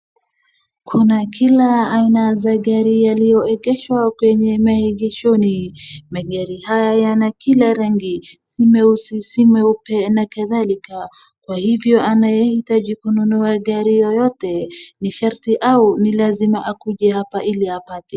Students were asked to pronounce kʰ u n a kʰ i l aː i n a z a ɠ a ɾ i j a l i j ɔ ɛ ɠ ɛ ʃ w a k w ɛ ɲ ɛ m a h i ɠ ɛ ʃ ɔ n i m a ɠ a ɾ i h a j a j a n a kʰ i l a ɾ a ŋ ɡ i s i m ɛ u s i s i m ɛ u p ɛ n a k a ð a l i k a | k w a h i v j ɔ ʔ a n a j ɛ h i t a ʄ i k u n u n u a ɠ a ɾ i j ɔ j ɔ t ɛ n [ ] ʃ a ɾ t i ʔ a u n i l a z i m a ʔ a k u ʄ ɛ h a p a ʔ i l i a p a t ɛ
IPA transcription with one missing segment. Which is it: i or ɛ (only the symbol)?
i